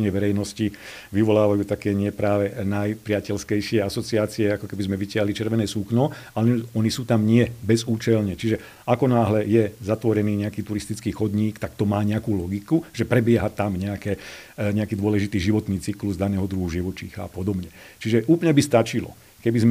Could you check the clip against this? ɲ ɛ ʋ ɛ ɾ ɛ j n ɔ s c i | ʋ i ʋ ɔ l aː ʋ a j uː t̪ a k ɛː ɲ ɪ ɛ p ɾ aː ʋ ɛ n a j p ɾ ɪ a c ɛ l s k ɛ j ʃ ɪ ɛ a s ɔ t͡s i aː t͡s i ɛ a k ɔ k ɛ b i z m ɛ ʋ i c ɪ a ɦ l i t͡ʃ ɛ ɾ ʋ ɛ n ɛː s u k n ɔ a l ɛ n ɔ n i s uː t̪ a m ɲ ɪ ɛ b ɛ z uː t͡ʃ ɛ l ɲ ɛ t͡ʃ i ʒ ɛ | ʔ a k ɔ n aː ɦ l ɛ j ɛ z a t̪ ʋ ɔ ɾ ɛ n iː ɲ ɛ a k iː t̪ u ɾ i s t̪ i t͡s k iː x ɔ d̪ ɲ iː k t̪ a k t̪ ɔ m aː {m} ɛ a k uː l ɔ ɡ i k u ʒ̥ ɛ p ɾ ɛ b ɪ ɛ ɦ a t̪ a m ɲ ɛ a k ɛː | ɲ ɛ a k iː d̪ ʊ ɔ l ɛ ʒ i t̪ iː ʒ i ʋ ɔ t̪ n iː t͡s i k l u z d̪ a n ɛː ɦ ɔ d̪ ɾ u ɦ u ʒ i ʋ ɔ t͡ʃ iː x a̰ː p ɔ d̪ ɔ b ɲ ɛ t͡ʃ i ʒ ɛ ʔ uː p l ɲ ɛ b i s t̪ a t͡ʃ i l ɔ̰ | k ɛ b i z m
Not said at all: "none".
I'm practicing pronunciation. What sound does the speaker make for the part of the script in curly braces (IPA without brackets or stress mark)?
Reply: ɲ